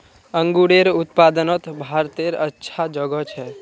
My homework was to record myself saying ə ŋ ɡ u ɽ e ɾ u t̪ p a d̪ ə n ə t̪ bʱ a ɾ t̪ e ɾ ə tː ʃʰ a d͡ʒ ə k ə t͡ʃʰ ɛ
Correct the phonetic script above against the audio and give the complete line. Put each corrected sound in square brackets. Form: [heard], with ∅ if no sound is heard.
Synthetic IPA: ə ŋ ɡ u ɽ e ɾ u t̪ p a d̪ ə n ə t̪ bʱ a ɾ t̪ e ɾ ə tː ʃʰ a d͡ʒ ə [ɡ] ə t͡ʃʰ ɛ